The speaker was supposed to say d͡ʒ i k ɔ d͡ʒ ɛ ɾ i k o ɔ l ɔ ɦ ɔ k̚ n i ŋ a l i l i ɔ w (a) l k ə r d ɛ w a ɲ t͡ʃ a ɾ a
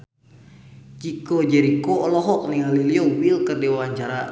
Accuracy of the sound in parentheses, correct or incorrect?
incorrect: i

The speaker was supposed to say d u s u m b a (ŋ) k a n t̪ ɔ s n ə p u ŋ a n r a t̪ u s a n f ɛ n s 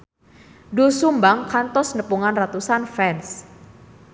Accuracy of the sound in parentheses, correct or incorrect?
correct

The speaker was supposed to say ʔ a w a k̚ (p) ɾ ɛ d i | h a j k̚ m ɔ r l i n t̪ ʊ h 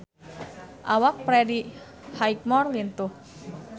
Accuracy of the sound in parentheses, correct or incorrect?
correct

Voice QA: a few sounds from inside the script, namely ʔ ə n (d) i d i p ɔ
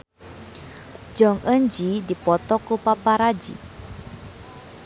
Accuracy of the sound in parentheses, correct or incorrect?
incorrect: d͡ʒ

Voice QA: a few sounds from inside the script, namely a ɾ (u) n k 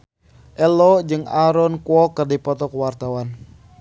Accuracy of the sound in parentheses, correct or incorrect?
incorrect: ɔ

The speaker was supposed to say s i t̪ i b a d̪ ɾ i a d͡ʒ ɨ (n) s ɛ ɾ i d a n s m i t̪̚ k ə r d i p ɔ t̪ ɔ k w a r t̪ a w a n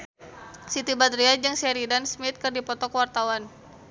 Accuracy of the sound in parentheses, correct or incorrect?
incorrect: ŋ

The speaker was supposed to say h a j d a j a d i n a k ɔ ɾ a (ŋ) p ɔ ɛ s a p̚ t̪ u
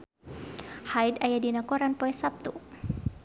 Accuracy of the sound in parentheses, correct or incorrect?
incorrect: n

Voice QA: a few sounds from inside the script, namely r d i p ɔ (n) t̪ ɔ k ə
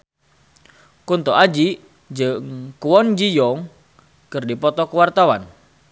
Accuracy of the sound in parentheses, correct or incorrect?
incorrect: none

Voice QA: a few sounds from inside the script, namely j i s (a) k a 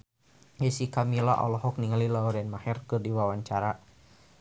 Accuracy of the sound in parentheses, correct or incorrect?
incorrect: i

